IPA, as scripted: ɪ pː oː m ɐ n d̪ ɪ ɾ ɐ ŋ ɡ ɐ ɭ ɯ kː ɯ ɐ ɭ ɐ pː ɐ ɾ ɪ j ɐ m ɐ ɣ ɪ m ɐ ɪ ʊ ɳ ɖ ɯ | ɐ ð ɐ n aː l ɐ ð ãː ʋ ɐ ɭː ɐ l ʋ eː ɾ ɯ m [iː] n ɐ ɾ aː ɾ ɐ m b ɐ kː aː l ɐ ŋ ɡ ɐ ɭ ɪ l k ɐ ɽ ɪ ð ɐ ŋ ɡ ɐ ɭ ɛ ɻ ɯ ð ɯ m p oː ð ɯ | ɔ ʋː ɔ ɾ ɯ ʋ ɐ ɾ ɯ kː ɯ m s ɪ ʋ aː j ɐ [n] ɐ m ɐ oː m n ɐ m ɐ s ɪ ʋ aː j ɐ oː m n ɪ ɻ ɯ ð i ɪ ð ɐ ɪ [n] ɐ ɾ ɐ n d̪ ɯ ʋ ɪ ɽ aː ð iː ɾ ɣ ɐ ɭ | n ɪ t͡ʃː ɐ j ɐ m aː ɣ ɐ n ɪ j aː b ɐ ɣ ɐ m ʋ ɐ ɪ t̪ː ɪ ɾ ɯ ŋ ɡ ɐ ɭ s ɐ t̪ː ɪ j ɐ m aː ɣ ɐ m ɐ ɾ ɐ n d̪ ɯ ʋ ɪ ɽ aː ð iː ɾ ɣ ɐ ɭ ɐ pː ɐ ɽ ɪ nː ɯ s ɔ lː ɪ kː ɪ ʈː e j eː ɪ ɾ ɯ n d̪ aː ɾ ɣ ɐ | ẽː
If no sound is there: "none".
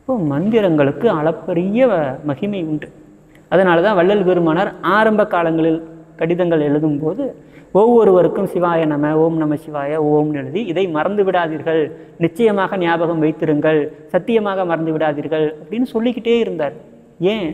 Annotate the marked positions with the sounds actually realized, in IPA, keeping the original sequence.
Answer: aː, n, m

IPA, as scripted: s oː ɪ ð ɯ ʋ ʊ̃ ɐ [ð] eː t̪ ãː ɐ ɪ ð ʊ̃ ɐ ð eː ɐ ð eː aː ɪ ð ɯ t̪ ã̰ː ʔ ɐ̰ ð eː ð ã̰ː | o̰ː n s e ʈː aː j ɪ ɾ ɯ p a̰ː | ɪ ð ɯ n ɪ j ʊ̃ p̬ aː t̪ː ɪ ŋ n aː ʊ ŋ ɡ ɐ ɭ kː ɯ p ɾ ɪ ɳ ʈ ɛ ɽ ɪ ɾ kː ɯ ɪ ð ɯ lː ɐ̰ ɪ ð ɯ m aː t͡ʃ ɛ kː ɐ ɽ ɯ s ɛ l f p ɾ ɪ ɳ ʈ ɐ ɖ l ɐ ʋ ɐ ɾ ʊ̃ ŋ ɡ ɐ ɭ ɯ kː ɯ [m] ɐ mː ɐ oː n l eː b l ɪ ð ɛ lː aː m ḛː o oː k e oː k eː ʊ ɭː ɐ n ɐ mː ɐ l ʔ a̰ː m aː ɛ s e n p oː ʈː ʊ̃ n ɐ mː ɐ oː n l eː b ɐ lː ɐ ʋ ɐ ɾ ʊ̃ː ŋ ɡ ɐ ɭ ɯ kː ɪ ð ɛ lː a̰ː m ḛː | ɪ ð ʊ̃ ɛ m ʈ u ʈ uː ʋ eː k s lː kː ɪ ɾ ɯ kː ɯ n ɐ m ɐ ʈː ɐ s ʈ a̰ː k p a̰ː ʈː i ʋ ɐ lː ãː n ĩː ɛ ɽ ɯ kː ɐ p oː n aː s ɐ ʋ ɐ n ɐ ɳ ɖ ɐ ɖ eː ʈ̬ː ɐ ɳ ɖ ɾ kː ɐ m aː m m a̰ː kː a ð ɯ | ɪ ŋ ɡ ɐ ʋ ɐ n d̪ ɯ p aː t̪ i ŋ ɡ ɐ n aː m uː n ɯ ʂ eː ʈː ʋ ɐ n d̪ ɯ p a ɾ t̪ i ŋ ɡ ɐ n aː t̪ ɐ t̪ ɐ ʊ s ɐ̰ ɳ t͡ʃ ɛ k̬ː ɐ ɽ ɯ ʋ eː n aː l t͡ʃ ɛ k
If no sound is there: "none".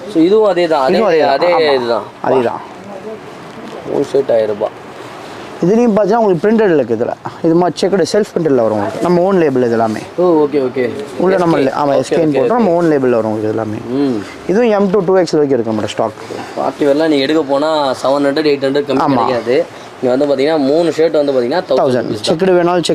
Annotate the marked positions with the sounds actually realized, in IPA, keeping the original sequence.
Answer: ð, n

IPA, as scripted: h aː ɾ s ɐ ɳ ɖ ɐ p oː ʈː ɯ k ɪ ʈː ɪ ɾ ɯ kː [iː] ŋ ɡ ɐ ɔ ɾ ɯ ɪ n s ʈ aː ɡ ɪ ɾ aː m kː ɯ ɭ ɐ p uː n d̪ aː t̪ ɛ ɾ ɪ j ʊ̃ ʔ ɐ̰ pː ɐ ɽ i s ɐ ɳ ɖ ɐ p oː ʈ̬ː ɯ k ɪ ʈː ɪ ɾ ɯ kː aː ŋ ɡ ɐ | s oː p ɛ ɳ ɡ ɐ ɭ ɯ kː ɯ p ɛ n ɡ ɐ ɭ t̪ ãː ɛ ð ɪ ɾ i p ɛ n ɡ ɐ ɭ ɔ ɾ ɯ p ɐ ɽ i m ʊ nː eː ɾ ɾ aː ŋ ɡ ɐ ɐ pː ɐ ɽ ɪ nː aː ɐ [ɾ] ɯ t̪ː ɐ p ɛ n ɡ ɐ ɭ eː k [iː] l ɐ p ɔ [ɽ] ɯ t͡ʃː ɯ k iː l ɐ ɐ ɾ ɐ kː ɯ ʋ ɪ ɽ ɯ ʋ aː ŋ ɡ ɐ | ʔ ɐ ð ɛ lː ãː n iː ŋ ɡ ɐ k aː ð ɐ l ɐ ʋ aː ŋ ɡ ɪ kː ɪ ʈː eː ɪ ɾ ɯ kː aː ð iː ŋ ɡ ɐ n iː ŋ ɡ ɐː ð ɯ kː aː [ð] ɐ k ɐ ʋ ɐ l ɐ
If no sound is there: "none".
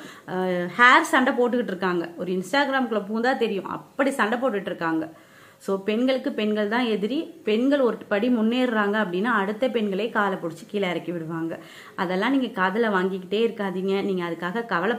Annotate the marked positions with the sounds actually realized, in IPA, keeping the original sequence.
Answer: aː, ɽ, aː, ɽ, ɣ

